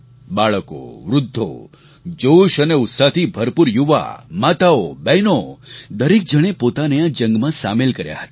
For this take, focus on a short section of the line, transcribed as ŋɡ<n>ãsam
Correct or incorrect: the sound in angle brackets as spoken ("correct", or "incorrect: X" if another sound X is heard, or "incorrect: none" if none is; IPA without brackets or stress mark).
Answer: incorrect: m